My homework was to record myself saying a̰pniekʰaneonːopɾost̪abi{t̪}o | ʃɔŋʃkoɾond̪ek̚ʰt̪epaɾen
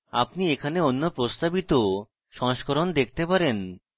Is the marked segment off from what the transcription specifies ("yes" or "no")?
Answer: no